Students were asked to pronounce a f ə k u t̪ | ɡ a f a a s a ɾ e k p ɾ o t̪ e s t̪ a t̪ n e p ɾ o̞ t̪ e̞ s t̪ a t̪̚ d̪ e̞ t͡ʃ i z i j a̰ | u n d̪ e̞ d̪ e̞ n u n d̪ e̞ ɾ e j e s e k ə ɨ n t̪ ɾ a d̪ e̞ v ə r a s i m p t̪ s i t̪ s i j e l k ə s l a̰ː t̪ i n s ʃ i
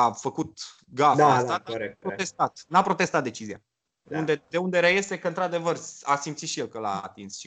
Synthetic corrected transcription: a f ə k u t̪ | ɡ a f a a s a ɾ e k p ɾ o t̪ e s t̪ a t̪ n a p ɾ o̞ t̪ e̞ s t̪ a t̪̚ d̪ e̞ t͡ʃ i z i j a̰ | u n d̪ e̞ d̪ e̞ u n d̪ e̞ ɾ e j e s e k ə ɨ n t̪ ɾ a d̪ e̞ v ə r a s i m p t̪ s i t̪ ʃ i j e l k ə l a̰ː t̪ i n s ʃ i